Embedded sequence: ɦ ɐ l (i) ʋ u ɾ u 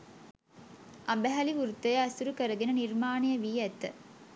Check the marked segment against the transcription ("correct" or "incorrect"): correct